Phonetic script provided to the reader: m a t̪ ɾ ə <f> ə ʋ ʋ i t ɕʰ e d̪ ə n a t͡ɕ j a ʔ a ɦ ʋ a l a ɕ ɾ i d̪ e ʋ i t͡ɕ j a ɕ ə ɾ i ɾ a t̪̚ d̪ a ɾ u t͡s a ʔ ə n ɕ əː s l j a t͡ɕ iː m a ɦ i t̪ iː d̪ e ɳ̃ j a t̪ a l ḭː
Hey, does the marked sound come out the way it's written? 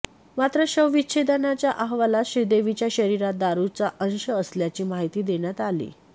no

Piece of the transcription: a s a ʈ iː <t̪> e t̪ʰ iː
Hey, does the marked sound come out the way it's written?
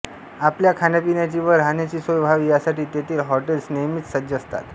yes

